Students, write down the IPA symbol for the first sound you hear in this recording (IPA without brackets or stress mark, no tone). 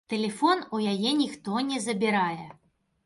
t̪